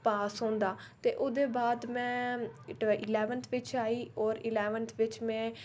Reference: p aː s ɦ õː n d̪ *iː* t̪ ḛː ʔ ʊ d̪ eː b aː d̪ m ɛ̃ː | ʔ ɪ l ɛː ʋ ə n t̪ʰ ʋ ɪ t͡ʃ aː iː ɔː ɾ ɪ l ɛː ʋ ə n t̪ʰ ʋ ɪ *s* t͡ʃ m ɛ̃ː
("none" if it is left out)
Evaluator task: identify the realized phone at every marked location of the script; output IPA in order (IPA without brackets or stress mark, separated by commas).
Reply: aː, none